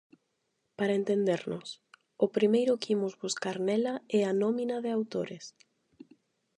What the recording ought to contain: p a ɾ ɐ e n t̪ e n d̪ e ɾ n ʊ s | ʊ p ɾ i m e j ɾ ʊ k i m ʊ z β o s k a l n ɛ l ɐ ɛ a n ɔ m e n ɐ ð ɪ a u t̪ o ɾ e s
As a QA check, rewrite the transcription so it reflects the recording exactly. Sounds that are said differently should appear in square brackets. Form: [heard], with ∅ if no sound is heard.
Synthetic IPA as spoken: p a ɾ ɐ e n t̪ e n d̪ e ɾ n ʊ s | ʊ p ɾ i m e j ɾ ʊ k i m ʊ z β [u] s k a [ɾ] n ɛ l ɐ ɛ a n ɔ m [i] n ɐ ð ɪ a [w] t̪ o ɾ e s